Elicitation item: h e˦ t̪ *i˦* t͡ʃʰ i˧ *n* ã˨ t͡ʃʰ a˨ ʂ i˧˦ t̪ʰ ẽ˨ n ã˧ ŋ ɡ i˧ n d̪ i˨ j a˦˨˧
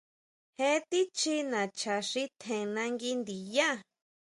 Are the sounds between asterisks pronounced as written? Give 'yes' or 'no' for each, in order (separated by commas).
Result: yes, yes